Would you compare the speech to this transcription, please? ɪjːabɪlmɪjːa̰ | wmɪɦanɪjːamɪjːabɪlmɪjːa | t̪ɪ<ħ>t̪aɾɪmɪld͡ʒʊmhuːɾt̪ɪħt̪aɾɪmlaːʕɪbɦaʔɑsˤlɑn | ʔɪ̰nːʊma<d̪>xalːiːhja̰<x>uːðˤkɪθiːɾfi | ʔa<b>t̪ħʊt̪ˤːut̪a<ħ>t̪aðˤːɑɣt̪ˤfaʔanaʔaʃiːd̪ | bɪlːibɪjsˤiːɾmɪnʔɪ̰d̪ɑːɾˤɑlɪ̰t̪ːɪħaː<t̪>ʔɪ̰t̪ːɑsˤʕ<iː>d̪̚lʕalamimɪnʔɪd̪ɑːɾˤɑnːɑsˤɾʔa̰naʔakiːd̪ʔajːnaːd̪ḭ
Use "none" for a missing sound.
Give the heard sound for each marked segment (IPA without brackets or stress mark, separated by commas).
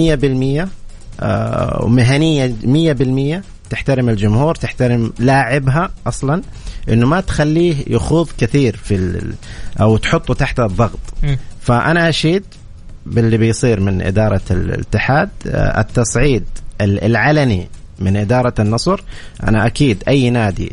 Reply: ħ, t̪, x, w, ħ, d̪, iː